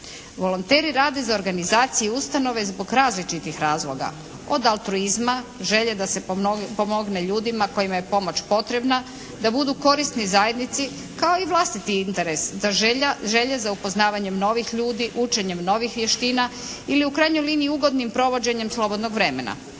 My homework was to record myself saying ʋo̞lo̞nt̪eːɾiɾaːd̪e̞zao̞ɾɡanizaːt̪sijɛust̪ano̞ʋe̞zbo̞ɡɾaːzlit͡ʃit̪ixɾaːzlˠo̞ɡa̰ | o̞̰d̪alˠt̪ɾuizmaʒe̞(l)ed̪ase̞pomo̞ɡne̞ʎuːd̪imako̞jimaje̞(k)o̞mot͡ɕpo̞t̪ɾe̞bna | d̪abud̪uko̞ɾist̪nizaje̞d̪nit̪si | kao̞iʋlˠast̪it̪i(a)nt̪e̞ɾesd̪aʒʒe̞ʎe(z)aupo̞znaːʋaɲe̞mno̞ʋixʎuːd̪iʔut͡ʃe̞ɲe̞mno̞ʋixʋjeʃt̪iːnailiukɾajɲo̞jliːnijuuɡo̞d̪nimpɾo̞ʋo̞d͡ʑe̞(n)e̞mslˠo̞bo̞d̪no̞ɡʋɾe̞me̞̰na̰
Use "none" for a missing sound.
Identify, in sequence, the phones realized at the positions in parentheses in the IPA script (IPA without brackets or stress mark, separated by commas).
ʎ, p, i, z, ɲ